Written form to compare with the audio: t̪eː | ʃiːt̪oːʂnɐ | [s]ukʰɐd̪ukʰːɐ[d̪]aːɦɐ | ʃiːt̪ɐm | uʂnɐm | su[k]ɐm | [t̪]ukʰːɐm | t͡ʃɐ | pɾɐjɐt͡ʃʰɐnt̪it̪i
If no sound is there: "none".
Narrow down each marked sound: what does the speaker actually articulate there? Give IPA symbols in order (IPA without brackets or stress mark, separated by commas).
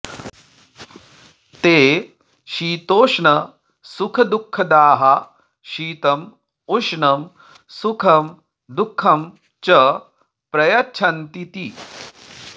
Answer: s, d̪, kʰ, d̪